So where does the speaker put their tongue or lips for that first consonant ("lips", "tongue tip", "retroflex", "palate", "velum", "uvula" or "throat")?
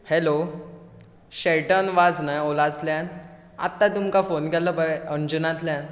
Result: throat